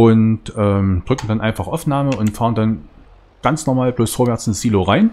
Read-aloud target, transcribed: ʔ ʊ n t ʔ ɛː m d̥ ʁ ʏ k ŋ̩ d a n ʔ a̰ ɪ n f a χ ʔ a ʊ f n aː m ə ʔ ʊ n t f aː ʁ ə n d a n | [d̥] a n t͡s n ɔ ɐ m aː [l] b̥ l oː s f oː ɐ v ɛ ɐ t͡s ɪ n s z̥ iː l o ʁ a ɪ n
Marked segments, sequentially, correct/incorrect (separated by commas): incorrect, correct